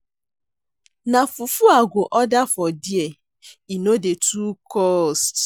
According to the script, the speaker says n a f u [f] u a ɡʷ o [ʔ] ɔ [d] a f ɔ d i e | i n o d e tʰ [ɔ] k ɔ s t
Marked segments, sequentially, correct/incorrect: correct, correct, correct, incorrect: u

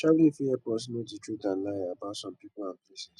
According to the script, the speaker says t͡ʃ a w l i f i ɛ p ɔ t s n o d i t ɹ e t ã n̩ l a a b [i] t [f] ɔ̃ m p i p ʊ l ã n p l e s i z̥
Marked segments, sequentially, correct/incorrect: incorrect: a, incorrect: s

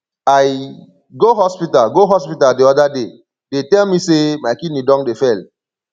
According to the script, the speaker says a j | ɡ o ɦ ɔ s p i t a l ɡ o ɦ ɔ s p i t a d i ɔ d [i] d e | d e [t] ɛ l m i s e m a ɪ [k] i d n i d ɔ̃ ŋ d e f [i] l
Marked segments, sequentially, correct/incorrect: incorrect: a, correct, correct, incorrect: ɛ

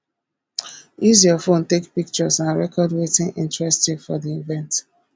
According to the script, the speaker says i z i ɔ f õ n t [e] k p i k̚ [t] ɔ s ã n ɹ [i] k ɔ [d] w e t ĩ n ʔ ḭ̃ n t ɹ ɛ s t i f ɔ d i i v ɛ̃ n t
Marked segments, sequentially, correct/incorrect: correct, incorrect: t͡ʃ, incorrect: ɛ, correct

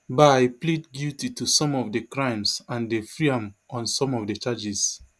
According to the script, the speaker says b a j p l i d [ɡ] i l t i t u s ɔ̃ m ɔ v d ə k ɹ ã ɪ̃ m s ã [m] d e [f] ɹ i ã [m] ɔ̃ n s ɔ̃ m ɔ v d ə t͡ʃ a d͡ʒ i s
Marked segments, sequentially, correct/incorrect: correct, incorrect: n, correct, correct

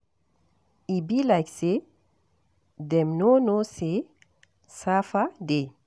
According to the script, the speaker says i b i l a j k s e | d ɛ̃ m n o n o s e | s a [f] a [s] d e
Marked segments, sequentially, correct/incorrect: correct, incorrect: none

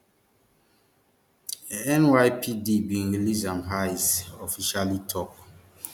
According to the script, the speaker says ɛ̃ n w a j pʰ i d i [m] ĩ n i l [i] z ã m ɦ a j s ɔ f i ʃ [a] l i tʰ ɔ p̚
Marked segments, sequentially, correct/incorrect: incorrect: b, correct, correct

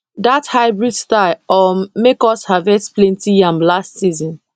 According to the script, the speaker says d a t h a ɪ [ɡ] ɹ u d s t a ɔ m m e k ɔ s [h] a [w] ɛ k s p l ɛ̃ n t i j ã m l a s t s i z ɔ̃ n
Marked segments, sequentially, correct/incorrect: incorrect: b, correct, incorrect: v

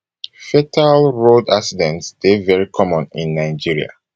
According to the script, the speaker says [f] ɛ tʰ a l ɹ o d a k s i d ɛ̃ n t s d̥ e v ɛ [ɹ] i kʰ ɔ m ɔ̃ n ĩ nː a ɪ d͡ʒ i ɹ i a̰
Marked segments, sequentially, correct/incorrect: correct, correct

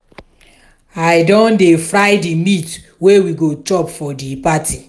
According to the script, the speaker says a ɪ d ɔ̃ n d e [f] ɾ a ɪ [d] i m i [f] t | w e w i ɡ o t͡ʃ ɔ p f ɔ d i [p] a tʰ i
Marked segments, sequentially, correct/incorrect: correct, correct, incorrect: none, correct

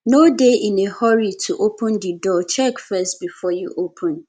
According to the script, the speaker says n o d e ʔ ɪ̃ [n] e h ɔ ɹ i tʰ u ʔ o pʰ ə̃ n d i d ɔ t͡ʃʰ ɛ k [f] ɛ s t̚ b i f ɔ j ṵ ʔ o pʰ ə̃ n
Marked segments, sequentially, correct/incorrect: correct, correct

